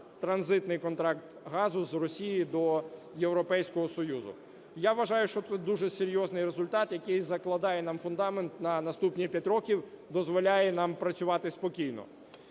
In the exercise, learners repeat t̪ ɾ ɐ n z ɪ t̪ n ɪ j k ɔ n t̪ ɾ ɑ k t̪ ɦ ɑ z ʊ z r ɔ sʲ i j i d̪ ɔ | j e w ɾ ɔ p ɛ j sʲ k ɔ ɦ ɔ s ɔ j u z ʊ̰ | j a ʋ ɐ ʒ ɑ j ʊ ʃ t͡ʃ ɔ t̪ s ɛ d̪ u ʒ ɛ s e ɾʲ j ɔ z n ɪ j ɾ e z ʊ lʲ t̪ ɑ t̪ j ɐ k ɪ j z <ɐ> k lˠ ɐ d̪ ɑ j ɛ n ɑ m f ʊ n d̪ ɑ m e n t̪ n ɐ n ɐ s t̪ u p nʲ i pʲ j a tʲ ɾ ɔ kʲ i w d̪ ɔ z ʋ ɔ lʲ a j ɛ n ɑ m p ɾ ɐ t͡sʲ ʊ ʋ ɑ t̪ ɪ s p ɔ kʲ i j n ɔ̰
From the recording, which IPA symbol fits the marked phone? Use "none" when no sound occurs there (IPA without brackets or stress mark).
ɐ